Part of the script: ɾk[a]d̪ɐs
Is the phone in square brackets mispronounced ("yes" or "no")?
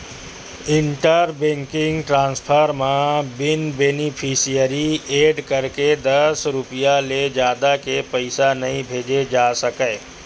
yes